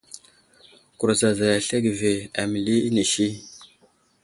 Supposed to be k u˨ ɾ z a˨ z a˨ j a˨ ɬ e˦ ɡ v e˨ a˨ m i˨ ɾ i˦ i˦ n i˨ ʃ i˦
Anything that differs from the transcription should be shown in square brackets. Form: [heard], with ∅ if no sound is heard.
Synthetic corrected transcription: k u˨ ɾ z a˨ z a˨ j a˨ ɬ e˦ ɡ v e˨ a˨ m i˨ [l] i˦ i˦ n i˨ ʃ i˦